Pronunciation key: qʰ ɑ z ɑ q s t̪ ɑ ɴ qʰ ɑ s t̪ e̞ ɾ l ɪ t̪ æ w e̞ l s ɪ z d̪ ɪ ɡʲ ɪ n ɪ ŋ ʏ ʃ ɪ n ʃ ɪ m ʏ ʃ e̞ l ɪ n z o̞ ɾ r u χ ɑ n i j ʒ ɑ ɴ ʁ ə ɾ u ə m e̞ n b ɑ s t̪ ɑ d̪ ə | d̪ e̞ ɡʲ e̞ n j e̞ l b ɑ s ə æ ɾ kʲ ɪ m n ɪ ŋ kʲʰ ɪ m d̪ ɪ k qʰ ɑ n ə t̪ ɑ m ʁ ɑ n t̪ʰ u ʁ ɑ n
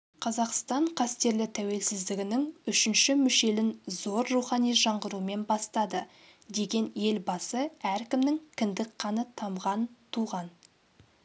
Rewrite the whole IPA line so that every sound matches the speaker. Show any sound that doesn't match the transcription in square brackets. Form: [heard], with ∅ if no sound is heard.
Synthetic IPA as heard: qʰ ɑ z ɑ q s t̪ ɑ ɴ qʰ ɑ s t̪ e̞ ɾ l ɪ [t̪ʰ] æ w e̞ l s ɪ z d̪ ɪ ɡʲ ɪ n ɪ ŋ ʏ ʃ ɪ n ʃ ɪ m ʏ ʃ e̞ l ɪ n z o̞ ɾ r u χ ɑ n i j ʒ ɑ ɴ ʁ ə ɾ u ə m e̞ n b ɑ s t̪ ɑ d̪ ə | d̪ e̞ ɡʲ e̞ n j e̞ l b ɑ s ə æ ɾ kʲ ɪ m n ɪ ŋ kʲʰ ɪ [n] d̪ ɪ k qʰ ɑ n ə [t̪ʰ] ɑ m ʁ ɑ n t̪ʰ u ʁ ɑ n